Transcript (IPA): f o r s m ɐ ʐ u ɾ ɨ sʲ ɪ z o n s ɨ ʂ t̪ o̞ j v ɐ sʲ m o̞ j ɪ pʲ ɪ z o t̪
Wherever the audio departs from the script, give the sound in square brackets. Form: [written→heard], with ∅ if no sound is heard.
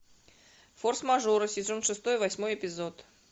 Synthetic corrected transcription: f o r s m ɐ ʐ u ɾ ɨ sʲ ɪ z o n [s→ʂ] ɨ [ʂ→s] t̪ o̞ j v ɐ sʲ m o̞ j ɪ pʲ ɪ z o t̪